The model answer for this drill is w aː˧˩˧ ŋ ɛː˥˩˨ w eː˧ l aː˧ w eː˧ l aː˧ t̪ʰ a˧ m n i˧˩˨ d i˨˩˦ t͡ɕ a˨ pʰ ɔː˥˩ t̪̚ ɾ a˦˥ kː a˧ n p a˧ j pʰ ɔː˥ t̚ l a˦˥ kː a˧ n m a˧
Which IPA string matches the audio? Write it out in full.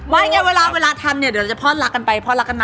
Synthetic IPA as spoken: w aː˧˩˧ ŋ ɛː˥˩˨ w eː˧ l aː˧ w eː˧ l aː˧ t̪ʰ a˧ m n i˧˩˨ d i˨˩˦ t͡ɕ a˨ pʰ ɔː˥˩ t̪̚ l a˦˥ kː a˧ n p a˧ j pʰ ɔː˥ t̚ l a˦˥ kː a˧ n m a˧